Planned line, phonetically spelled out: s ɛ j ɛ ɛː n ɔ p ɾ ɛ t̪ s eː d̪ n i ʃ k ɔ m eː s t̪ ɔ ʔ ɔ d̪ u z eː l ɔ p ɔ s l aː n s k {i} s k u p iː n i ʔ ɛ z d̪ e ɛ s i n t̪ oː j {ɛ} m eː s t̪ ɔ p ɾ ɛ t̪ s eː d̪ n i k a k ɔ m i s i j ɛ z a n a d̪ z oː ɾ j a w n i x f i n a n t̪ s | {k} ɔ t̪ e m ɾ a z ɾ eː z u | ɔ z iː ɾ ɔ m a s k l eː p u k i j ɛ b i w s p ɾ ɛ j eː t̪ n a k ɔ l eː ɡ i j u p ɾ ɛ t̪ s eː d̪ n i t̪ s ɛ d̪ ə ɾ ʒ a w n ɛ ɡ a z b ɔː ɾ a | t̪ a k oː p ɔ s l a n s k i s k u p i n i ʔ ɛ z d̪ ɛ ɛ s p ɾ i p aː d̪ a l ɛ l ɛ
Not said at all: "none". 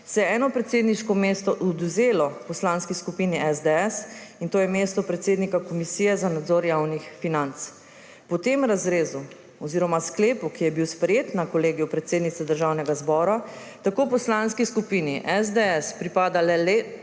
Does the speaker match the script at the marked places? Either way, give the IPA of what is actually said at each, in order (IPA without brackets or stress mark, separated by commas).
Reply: i, ɛ, p